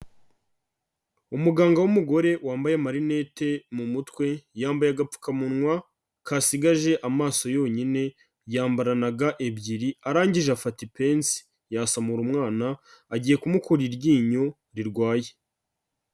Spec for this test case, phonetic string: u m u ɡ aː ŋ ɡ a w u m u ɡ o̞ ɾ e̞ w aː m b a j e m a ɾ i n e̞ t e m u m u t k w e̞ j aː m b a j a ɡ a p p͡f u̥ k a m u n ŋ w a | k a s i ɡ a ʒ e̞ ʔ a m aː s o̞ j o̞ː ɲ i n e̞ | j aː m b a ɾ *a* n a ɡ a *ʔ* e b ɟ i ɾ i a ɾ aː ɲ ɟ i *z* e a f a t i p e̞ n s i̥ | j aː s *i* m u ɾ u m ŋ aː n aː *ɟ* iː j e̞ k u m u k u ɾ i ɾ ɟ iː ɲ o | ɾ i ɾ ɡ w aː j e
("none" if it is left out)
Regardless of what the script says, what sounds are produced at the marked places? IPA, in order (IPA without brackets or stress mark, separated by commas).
a, ʔ, ʒ, a, ɟ